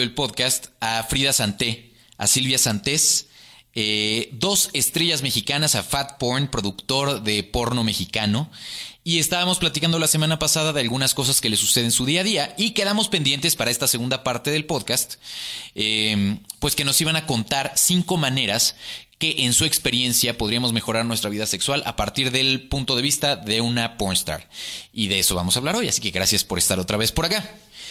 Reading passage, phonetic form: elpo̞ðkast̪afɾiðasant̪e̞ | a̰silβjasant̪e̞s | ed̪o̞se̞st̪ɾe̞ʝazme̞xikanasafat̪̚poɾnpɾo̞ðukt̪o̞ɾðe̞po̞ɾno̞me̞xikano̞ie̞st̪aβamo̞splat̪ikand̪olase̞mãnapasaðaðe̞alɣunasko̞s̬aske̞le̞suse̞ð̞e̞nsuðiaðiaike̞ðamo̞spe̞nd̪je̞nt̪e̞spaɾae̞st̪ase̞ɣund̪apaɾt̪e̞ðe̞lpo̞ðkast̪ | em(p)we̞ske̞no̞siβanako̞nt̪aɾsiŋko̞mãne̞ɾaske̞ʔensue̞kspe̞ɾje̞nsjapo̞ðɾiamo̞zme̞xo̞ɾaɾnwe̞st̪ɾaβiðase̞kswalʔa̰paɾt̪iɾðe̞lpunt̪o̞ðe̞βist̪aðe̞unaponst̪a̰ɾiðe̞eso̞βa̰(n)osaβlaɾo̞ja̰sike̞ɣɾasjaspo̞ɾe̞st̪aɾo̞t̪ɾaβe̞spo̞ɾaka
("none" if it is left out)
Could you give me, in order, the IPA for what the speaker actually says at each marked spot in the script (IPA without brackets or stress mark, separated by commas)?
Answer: p, m